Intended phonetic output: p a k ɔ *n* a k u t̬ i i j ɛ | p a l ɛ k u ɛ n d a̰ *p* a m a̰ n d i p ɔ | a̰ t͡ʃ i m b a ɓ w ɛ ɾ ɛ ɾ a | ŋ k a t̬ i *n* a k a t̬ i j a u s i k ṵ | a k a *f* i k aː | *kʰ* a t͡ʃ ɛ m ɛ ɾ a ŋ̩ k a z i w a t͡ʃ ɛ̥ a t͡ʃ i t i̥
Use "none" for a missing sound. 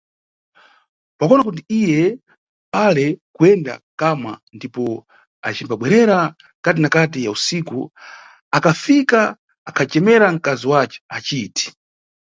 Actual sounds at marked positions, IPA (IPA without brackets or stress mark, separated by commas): n, k, n, f, kʰ